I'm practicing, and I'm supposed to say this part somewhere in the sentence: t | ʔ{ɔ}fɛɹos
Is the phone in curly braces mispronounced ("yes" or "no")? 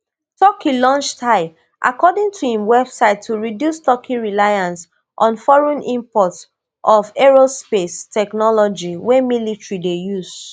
no